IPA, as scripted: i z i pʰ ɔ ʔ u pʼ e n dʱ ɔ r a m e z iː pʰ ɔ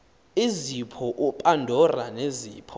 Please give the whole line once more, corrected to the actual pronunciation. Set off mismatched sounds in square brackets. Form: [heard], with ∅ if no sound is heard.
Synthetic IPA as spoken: i z i pʰ ɔ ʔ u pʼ [a] n dʱ ɔ r a [n] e z iː pʰ ɔ